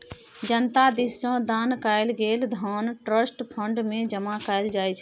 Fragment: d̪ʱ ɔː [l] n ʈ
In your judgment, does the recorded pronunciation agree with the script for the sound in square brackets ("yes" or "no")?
no